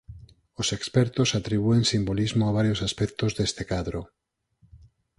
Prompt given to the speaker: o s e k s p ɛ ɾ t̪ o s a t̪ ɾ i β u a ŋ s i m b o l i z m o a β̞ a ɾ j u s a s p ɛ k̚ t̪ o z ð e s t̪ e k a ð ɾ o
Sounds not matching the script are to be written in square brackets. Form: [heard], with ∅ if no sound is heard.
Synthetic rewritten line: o s e k s p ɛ ɾ t̪ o s a t̪ ɾ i β u [e] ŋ s i m b o l i z m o a β̞ a ɾ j [o] s a s p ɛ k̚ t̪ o z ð e s t̪ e k a ð ɾ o